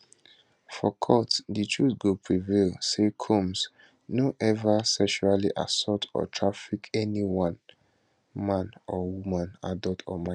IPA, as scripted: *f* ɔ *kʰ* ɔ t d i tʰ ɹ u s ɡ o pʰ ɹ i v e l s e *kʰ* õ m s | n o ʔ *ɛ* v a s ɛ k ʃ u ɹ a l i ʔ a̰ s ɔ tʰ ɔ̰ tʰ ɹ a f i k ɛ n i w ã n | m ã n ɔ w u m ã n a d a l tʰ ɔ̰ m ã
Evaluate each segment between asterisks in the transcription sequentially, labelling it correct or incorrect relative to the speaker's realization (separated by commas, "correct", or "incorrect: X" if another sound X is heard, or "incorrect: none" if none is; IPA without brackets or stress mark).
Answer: correct, correct, correct, correct